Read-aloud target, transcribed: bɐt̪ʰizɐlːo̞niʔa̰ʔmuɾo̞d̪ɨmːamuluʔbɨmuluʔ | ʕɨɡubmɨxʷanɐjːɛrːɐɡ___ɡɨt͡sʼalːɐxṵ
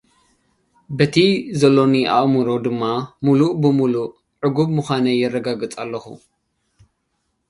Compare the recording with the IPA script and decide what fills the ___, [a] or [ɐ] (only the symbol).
a